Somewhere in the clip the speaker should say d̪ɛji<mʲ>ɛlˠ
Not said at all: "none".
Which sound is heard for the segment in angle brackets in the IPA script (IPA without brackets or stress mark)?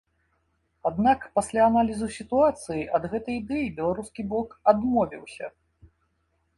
bʲ